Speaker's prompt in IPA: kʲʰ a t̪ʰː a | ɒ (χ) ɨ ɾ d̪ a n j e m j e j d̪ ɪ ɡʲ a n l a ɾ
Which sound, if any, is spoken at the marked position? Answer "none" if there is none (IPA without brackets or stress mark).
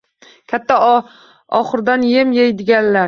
χ